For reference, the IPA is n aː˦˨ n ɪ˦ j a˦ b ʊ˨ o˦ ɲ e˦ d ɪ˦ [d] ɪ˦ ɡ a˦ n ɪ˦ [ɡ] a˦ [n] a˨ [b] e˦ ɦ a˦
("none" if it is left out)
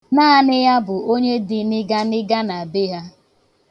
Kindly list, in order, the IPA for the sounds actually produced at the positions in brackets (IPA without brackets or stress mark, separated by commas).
n, ɡ, n, b